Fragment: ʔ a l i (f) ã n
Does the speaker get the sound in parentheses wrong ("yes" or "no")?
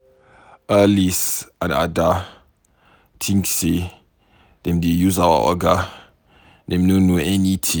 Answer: yes